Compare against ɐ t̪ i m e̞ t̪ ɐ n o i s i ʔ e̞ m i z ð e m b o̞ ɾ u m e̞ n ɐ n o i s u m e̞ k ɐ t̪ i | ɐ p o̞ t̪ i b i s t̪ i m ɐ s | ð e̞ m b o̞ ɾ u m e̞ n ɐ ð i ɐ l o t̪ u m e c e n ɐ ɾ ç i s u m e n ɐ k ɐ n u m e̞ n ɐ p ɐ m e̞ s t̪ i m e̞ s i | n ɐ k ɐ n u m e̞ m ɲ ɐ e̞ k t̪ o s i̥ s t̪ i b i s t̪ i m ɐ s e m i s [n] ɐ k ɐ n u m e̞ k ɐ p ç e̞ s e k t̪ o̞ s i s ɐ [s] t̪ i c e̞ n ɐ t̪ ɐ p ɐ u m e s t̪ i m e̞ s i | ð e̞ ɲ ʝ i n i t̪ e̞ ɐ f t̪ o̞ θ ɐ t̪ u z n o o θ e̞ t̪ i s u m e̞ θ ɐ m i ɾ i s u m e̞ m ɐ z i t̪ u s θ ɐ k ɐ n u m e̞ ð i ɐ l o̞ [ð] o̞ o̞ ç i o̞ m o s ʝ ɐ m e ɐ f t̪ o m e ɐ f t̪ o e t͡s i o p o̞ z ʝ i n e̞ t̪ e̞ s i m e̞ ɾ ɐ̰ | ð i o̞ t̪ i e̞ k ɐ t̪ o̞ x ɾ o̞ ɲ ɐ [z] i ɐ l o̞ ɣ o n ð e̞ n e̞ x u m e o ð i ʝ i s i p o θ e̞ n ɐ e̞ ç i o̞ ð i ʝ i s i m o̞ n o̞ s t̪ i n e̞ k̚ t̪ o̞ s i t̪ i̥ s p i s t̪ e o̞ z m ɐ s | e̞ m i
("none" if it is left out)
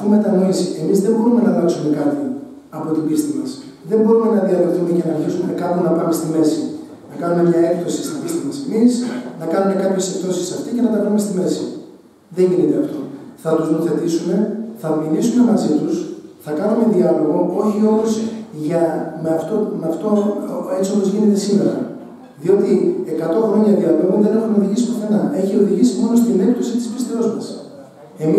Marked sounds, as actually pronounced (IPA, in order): n, f, ɣ, ð

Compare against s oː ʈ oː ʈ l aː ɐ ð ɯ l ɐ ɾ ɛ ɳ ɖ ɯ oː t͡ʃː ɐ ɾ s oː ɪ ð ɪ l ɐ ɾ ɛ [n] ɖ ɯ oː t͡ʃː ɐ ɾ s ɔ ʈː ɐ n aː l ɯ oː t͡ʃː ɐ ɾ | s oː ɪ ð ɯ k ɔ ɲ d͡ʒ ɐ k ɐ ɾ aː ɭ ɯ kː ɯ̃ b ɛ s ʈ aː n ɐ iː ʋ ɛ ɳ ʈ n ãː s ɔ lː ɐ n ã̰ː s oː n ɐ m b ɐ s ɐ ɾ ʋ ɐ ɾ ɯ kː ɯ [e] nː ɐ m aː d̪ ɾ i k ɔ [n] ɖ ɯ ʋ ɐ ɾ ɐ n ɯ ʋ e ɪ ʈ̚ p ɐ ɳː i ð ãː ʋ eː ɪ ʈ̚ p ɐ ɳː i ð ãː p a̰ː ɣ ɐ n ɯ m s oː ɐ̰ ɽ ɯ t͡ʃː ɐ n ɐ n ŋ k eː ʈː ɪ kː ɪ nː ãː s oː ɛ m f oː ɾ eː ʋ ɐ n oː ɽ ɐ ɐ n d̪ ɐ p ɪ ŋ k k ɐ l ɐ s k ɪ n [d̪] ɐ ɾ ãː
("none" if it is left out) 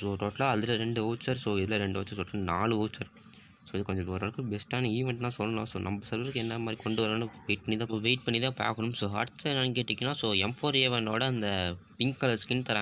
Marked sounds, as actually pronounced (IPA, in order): ɳ, ɛ, ɳ, t̪

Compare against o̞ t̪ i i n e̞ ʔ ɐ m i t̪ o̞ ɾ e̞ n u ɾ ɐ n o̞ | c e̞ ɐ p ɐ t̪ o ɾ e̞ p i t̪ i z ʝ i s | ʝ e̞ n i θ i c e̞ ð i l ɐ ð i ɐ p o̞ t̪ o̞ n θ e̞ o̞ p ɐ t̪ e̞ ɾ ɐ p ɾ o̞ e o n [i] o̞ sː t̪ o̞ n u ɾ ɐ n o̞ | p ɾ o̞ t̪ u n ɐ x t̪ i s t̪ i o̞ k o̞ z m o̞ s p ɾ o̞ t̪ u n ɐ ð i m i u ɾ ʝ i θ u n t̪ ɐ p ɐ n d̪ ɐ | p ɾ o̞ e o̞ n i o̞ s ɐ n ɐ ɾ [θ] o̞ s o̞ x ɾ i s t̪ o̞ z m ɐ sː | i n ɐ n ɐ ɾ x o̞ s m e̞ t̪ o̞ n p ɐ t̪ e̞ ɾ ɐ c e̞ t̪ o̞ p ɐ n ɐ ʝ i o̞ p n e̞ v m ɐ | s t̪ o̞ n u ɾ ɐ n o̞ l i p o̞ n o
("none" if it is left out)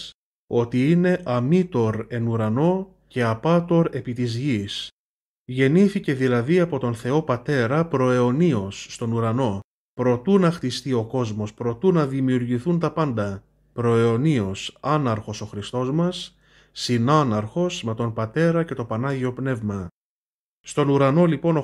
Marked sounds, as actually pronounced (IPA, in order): i, x

